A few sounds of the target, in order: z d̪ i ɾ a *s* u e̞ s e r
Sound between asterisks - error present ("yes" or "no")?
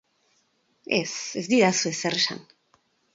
no